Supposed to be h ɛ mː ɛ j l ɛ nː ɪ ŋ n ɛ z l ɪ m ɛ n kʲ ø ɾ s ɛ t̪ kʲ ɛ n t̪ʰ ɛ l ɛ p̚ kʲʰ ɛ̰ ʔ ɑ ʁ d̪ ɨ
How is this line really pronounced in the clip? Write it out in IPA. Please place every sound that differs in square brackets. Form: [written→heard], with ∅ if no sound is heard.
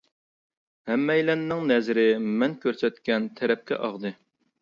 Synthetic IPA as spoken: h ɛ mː ɛ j l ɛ nː ɪ ŋ n ɛ z [l→ɾ] ɪ m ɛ n kʲ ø ɾ s ɛ t̪ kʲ ɛ n t̪ʰ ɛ [l→ɾ] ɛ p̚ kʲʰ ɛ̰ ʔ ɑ ʁ d̪ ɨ